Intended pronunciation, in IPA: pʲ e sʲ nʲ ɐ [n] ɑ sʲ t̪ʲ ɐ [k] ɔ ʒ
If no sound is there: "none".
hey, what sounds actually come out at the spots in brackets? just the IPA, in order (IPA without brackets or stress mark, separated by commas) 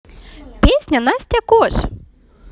n, k